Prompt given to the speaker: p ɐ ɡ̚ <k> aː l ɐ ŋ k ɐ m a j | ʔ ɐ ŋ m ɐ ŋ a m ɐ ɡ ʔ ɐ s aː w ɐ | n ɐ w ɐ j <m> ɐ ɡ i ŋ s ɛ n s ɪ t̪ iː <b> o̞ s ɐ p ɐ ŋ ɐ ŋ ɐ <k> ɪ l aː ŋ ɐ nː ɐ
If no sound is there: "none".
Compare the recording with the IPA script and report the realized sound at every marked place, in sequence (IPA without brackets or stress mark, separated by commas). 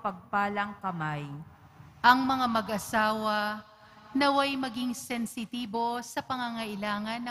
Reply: p, m, b, ʔ